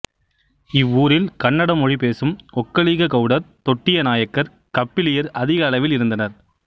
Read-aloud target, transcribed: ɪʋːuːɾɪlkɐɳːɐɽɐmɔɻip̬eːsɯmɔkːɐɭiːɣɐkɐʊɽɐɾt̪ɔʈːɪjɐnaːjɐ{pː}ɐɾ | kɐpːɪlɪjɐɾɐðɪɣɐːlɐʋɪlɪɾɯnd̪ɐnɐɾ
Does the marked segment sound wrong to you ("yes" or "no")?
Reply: yes